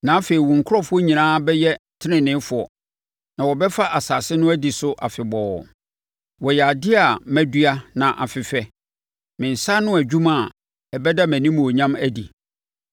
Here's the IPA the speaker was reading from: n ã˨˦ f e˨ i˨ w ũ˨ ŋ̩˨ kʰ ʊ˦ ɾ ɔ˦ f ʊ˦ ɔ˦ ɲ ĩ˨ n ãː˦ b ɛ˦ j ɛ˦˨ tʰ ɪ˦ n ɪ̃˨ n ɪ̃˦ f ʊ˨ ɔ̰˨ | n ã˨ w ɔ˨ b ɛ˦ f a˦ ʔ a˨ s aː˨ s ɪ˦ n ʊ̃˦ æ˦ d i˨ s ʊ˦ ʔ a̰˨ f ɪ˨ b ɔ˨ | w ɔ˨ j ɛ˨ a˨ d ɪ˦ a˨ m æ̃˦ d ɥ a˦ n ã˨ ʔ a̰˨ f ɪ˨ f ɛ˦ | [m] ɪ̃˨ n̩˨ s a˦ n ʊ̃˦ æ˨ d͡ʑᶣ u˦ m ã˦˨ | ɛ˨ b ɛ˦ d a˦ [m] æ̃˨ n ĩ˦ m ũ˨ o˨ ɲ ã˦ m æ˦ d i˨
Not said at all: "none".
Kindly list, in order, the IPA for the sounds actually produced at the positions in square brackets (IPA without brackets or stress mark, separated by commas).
m, m